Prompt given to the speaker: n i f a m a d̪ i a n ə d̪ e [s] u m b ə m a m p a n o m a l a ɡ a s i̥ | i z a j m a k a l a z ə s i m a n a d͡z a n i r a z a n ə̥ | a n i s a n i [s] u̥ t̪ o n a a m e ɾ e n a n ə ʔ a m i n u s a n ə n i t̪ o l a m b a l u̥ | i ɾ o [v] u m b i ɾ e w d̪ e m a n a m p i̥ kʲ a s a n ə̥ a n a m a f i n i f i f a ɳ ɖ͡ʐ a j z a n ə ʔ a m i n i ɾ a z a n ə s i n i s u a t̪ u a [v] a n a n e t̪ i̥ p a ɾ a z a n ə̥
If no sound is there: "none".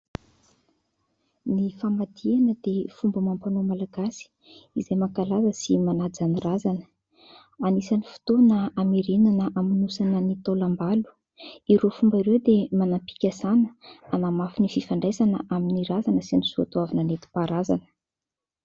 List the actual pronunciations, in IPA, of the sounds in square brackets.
f, f, f, v

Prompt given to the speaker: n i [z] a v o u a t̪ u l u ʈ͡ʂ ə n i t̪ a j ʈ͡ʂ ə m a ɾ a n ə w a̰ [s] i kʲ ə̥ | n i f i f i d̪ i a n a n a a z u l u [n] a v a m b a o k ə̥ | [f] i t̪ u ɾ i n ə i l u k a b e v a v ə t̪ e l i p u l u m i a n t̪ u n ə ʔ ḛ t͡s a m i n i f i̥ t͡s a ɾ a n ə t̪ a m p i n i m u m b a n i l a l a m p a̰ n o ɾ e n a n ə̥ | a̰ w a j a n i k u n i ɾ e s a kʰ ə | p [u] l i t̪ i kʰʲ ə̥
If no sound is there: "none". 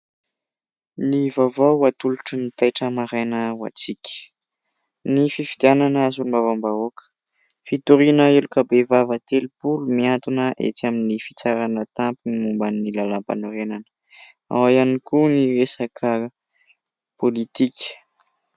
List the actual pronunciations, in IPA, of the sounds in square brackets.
v, t͡s, m, f, o

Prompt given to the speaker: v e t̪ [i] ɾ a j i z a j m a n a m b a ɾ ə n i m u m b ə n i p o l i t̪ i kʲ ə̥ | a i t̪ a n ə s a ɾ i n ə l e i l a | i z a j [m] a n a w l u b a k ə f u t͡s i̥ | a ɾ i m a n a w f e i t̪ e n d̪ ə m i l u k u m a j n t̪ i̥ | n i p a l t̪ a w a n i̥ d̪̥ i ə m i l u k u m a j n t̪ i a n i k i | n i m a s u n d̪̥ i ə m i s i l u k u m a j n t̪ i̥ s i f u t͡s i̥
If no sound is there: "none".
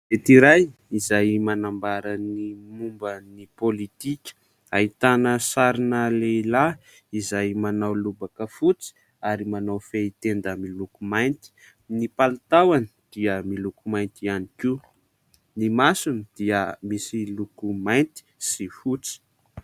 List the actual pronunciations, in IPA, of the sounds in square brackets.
i, m

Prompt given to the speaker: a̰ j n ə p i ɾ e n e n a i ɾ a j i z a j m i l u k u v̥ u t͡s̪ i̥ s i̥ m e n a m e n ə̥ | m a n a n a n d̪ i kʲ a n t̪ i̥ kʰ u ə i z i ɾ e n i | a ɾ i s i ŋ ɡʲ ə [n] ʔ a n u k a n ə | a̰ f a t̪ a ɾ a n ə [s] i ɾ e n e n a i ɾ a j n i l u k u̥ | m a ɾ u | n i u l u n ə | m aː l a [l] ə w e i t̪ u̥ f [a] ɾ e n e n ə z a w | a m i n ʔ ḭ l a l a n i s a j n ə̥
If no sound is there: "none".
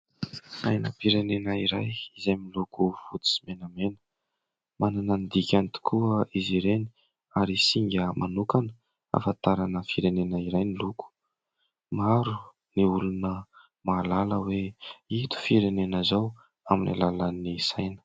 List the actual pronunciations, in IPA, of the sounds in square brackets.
m, f, l, i

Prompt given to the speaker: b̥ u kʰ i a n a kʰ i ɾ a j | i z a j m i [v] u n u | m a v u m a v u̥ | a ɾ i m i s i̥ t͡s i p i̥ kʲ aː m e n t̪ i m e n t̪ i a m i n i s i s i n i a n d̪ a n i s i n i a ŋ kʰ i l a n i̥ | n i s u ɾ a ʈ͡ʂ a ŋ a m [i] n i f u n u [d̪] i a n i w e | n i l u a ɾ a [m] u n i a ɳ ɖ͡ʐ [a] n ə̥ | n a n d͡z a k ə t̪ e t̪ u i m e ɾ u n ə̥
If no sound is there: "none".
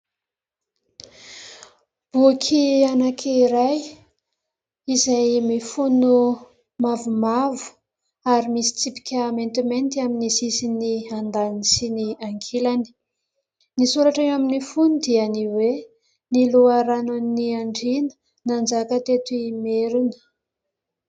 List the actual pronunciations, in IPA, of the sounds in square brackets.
f, i, d̪, n, i

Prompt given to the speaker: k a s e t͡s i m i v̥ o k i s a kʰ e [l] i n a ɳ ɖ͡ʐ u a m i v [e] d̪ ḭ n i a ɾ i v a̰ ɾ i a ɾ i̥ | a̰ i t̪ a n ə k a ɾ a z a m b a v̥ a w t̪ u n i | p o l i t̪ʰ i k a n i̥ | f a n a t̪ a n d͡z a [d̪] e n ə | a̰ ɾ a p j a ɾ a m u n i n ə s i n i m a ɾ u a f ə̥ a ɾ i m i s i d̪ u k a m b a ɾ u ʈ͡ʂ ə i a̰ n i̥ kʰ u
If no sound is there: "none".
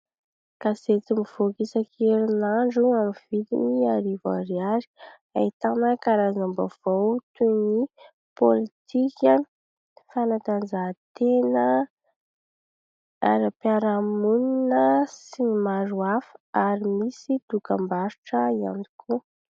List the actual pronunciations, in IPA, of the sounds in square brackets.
ɾ, i, t̪

